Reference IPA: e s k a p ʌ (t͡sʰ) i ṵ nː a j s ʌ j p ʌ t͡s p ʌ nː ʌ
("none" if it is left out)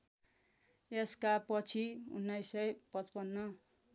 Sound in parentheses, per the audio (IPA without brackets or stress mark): t͡sʰ